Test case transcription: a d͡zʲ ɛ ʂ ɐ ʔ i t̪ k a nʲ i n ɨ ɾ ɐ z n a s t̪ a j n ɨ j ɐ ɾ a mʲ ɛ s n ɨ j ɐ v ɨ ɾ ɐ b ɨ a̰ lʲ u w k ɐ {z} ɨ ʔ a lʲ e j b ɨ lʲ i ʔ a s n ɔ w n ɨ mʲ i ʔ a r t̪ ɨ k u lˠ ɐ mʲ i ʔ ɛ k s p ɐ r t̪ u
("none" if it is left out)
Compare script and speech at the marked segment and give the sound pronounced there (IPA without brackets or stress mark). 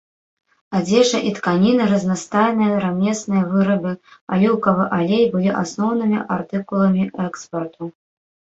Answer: v